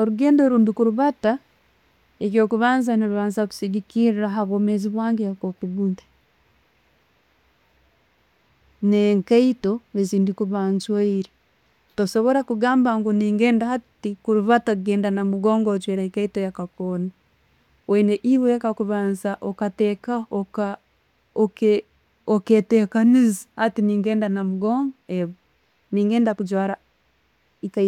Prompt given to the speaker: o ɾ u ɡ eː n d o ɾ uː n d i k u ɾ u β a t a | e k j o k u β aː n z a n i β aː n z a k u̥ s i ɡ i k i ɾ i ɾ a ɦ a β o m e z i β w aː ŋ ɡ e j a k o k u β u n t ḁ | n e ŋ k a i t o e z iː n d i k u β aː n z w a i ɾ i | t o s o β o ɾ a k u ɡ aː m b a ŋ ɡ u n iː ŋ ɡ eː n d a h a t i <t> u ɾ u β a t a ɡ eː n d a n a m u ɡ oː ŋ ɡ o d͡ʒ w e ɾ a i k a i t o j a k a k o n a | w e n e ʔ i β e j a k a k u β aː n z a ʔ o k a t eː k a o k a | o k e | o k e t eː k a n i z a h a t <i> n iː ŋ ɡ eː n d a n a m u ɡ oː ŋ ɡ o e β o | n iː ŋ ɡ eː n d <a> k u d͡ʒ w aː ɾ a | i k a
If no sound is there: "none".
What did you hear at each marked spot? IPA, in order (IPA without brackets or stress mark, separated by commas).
k, i, a